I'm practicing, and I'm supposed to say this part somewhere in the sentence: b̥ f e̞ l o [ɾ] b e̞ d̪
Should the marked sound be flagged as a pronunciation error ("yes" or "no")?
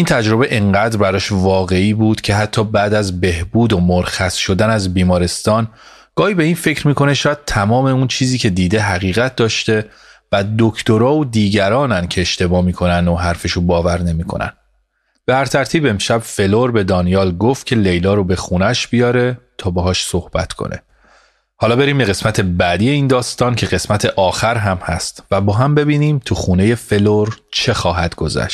no